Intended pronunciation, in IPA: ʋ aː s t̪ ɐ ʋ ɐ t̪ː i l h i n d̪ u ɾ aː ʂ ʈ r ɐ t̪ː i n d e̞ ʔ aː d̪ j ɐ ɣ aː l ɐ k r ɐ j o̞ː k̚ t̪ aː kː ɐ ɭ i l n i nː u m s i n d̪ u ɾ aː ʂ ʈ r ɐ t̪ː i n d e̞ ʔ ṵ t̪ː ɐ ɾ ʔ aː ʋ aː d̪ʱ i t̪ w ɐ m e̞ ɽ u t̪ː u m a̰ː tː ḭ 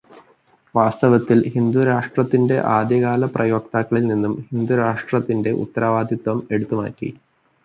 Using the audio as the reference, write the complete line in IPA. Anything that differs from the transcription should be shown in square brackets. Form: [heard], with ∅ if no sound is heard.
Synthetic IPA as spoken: ʋ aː s t̪ ɐ ʋ ɐ t̪ː i l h i n d̪ u ɾ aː ʂ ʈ r ɐ t̪ː i n d e̞ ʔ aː d̪ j ɐ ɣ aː l ɐ [p] r ɐ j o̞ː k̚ t̪ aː kː ɐ ɭ i l n i nː u m [h] i n d̪ u ɾ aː ʂ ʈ r ɐ t̪ː i n d e̞ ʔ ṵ t̪ː ɐ ɾ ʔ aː ʋ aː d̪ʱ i t̪ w ɐ m e̞ ɽ u t̪ː u m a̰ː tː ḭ